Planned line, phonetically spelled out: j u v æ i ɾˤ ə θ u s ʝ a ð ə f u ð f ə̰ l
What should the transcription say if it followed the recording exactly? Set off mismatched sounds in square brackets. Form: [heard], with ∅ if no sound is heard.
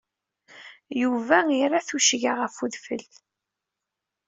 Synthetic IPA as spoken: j u v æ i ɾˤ [a] θ u [ʃ] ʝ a [ʁ] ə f u ð f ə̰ l